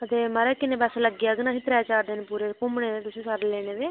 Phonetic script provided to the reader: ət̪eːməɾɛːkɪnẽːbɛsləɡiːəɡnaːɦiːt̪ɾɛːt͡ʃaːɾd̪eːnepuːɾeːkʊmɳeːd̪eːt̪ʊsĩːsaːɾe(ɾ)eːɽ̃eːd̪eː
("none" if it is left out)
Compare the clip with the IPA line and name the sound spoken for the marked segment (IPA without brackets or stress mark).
l